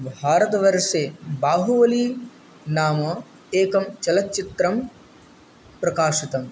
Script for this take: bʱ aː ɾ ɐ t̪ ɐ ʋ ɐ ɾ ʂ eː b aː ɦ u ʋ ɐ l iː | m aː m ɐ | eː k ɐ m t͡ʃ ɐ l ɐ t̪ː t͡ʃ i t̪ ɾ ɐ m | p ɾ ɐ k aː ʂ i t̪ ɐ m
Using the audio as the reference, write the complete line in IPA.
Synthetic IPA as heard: bʱ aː ɾ ɐ t̪ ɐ ʋ ɐ ɾ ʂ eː b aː ɦ u ʋ ɐ l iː | n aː m ɐ | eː k ɐ m t͡ʃ ɐ l ɐ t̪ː t͡ʃ i t̪ ɾ ɐ m | p ɾ ɐ k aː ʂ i t̪ ɐ m